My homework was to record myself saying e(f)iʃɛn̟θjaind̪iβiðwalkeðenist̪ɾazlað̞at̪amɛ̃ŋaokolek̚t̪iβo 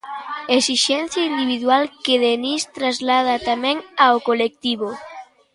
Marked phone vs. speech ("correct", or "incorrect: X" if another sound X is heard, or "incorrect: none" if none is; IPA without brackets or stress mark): incorrect: s